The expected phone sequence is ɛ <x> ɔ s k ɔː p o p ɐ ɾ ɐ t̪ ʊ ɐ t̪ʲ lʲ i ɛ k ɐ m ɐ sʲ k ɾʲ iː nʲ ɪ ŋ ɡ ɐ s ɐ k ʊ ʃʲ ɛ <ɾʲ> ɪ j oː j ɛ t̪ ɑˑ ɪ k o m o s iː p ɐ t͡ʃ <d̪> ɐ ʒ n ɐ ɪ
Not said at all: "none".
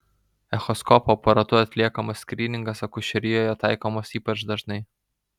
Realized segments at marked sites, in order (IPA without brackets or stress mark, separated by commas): x, ɾʲ, d̪